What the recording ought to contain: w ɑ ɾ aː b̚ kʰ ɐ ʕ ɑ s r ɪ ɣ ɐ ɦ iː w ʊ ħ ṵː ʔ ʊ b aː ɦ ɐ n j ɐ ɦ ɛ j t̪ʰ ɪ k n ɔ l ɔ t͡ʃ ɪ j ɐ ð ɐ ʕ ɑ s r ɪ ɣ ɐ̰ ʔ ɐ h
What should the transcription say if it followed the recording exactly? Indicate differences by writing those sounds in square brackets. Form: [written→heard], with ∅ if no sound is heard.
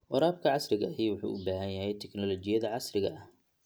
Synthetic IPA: w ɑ ɾ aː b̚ kʰ ɐ ʕ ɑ s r ɪ ɣ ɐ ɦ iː w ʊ ħ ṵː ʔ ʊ b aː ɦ ɐ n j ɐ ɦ ɛ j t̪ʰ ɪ k n ɔ l ɔ t͡ʃ ɪ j ɐ ð ɐ ʕ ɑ s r ɪ ɣ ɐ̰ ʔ ɐ h